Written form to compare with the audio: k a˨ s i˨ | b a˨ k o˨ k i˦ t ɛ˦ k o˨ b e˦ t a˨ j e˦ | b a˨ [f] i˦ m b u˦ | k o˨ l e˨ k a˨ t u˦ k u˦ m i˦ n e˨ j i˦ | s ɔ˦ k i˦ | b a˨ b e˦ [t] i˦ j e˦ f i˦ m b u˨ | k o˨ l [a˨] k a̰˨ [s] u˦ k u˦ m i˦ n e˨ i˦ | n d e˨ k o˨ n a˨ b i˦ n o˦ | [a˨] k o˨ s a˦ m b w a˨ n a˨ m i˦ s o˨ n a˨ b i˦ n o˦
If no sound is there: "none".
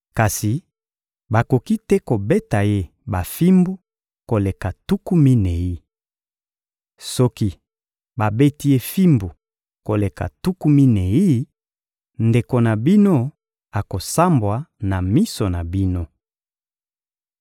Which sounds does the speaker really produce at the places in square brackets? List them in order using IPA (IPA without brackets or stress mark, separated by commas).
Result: f, t, e˨, t, a˨